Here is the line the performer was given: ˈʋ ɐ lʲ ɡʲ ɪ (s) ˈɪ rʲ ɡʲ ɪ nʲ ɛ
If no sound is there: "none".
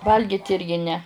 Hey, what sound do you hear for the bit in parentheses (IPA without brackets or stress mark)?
t